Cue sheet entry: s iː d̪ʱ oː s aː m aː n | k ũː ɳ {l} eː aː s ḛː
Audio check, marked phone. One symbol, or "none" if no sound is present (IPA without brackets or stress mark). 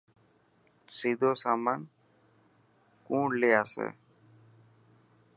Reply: l